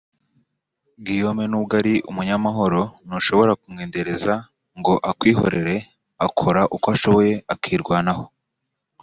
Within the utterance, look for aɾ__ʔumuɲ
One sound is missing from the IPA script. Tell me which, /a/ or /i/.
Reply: i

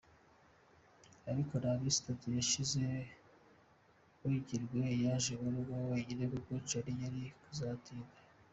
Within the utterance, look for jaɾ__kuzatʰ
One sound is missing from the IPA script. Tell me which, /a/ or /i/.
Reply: i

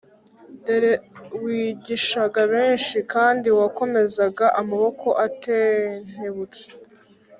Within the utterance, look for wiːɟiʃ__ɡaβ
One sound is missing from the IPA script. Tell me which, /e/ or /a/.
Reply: a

